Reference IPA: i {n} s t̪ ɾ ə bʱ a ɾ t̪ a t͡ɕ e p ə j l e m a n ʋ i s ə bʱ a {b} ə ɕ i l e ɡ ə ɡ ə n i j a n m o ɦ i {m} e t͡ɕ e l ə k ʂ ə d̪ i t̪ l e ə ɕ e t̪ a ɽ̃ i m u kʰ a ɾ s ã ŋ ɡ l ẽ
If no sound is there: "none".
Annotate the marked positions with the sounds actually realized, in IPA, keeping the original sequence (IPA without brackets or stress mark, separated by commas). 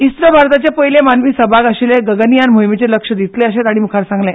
none, ɡ, m